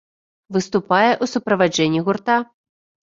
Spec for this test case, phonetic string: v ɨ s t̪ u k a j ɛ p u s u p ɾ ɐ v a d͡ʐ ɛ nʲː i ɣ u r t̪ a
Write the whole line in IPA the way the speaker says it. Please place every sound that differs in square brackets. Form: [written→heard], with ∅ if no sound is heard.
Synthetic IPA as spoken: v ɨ s t̪ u [k→p] a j ɛ [p→ʔ] u s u p ɾ ɐ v a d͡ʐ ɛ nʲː i ɣ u r t̪ a